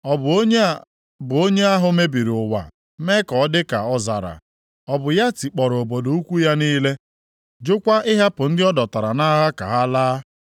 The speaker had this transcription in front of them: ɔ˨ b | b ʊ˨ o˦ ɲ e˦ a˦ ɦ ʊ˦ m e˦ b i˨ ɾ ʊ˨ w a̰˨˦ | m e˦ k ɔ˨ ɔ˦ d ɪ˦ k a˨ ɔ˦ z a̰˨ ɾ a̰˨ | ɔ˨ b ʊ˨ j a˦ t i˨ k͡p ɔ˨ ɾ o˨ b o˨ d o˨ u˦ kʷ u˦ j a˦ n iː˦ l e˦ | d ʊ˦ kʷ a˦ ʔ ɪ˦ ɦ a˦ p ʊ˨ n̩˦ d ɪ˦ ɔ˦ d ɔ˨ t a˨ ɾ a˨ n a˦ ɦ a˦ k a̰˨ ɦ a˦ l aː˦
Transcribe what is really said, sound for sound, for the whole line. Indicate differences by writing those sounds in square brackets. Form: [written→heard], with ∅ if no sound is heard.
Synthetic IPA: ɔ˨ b | b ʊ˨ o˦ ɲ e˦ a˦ ɦ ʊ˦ m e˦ b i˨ ɾ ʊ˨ w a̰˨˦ | m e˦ k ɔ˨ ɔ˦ d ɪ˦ k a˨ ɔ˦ z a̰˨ ɾ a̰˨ | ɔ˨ b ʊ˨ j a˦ t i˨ k͡p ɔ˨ ɾ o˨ b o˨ d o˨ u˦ kʷ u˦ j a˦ n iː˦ l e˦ | [d→d͡ʒ] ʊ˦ kʷ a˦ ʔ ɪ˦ ɦ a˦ p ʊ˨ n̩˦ d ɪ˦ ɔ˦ d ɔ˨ t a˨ ɾ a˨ n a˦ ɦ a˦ k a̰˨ ɦ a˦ l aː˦